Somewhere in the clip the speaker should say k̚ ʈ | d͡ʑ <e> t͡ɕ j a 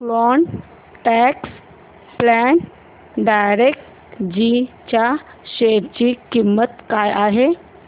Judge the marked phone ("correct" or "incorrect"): incorrect